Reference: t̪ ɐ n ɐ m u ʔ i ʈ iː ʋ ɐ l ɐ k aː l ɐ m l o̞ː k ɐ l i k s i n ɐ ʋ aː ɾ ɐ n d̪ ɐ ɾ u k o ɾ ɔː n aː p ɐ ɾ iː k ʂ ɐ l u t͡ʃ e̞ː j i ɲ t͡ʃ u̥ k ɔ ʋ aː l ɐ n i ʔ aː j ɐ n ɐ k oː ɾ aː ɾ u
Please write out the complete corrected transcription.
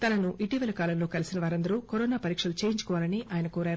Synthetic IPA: t̪ ɐ n ɐ n u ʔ i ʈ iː ʋ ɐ l ɐ k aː l ɐ m l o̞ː k ɐ l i s i n ɐ ʋ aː ɾ ɐ n d̪ ɐ ɾ u k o ɾ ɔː n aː p ɐ ɾ iː k ʂ ɐ l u t͡ʃ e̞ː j i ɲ t͡ʃ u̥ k ɔ ʋ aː l ɐ n i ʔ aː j ɐ n ɐ k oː ɾ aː ɾ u